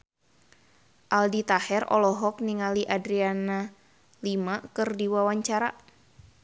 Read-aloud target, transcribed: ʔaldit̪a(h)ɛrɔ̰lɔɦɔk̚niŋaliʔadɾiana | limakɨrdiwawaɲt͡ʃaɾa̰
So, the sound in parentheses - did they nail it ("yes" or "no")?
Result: yes